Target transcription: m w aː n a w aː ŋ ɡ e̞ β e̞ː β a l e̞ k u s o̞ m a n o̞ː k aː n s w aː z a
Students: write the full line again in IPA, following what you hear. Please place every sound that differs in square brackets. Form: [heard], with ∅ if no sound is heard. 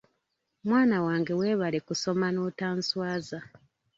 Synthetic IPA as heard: m w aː n a w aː ŋ ɡ e̞ [w] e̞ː β a l e̞ k u s o̞ m a n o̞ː [t] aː n s w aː z a